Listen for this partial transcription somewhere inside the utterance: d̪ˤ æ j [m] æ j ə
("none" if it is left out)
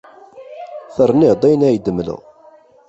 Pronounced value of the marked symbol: n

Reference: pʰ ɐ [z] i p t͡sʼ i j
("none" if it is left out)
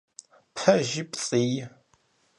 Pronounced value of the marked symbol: ʒ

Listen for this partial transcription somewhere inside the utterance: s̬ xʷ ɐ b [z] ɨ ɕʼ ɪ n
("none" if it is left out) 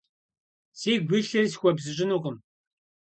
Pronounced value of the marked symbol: z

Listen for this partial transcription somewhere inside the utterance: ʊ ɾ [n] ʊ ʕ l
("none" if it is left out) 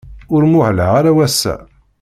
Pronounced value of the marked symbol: m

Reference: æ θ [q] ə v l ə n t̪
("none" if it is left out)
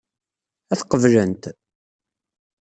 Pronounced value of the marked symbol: q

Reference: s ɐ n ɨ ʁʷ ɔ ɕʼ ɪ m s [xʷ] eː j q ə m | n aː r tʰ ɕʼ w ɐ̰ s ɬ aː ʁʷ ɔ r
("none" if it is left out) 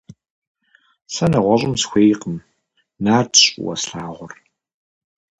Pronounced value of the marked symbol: xʷ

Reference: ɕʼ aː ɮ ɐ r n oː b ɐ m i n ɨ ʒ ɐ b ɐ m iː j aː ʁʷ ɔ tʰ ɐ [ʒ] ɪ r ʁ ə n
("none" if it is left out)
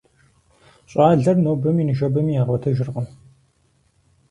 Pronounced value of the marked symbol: ʒ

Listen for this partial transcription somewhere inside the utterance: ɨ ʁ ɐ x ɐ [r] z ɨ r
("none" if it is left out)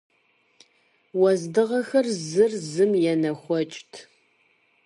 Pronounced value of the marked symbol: r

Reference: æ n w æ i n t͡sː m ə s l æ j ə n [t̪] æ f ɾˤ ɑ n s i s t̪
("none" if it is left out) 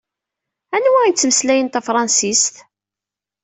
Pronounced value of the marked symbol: t̪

